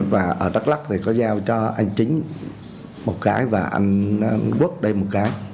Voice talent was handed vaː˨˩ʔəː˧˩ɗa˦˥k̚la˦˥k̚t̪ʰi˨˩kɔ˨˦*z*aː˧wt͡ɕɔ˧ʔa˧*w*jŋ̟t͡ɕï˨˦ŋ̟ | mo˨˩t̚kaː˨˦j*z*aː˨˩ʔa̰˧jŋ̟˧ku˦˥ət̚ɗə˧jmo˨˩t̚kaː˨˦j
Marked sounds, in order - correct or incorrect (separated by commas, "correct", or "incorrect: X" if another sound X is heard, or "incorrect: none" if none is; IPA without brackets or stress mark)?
correct, incorrect: none, incorrect: v